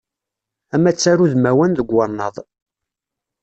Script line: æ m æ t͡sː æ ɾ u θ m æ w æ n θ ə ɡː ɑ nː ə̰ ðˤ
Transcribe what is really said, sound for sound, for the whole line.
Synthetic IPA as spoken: æ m æ t͡sː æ ɾ u ð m æ w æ n ð ə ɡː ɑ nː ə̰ ðˤ